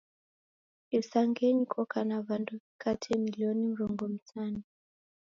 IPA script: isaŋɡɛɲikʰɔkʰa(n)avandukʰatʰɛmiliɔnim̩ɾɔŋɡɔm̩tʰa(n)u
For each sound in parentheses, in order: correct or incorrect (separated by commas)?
correct, correct